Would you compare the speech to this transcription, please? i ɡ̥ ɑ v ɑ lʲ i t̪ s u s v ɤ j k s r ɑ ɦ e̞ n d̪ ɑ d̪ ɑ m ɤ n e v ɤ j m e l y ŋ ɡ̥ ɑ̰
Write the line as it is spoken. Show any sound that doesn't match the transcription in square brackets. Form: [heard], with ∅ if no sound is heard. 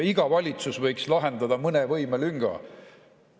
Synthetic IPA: i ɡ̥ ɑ v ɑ lʲ i t̪ s u s v ɤ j k s [l] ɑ ɦ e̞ n d̪ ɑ d̪ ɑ m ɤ n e v ɤ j m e l y ŋ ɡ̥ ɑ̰